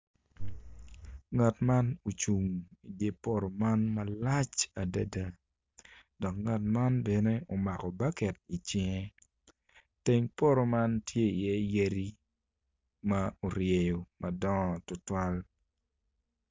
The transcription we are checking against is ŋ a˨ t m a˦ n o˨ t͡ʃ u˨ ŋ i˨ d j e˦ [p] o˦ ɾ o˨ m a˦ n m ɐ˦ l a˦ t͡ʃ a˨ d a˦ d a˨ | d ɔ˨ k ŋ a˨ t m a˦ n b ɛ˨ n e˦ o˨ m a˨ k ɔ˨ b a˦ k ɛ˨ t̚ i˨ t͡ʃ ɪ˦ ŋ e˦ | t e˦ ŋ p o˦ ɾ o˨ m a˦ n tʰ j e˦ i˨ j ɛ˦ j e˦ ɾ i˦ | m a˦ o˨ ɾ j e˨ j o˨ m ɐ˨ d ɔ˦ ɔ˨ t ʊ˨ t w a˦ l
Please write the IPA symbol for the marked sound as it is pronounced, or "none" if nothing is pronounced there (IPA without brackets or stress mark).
p